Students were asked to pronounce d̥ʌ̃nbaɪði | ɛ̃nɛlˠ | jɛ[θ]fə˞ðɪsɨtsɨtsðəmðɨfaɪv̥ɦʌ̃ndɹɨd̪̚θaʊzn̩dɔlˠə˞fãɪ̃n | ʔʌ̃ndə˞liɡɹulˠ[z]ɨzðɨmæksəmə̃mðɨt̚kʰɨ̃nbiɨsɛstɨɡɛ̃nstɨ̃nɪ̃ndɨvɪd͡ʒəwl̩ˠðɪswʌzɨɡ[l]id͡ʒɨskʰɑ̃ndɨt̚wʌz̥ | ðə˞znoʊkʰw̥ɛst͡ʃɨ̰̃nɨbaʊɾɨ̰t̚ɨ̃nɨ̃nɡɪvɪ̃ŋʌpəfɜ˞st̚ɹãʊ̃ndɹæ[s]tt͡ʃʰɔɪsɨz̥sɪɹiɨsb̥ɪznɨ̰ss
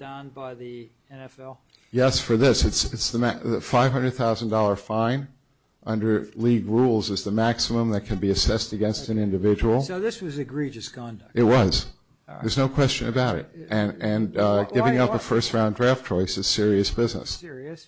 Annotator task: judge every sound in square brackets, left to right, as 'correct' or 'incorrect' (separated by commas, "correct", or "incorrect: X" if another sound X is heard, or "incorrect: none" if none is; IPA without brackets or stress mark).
incorrect: s, correct, incorrect: ɹ, incorrect: f